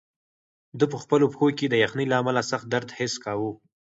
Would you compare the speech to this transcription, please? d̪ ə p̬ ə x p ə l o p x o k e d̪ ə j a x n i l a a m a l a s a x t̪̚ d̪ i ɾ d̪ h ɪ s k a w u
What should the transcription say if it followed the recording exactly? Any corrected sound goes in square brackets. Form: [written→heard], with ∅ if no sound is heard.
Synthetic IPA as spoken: d̪ ə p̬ ə x p ə l o p x o k e d̪ ə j a x n i l a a m a l a s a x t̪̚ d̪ [i→a] ɾ d̪ h ɪ s k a w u